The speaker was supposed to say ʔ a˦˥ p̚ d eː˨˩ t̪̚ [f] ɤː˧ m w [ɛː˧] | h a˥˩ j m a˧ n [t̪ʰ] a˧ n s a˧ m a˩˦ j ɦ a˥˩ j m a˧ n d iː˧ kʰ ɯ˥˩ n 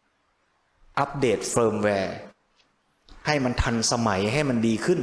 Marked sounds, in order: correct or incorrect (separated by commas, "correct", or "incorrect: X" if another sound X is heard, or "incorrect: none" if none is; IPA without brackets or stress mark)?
correct, correct, correct